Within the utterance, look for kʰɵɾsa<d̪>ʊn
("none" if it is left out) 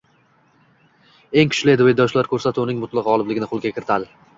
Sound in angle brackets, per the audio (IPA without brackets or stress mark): t̪